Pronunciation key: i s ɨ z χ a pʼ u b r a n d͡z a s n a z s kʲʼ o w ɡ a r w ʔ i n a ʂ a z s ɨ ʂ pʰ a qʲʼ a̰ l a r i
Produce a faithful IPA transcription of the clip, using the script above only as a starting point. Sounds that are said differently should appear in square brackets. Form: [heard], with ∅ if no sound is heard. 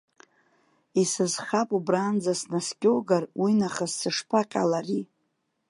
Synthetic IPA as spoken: i s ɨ z χ a pʼ u b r a n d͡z a s n a [∅] s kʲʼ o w ɡ a r w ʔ i n a [χ] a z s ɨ ʂ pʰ a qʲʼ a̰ l a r i